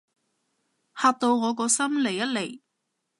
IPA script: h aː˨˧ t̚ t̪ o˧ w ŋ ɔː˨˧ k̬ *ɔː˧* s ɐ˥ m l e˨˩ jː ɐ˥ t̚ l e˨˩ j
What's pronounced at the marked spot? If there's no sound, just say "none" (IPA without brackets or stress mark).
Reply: ɔː˧